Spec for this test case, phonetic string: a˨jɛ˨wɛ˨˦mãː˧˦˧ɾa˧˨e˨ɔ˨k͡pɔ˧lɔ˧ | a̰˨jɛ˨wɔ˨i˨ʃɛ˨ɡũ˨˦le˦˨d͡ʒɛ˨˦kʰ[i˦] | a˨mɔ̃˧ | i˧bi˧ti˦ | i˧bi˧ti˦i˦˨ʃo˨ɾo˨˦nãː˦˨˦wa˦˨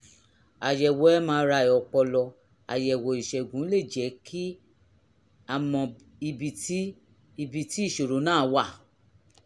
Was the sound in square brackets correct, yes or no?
yes